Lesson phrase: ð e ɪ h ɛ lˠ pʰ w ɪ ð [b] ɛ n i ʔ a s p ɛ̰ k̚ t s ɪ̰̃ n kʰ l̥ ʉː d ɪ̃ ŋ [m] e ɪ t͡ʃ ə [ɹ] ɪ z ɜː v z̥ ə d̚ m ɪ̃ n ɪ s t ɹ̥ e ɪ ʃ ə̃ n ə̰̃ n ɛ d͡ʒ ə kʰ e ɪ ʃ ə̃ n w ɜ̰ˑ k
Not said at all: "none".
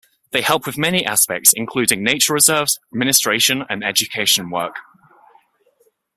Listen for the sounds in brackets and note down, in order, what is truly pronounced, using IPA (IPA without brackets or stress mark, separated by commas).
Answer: m, n, ɹ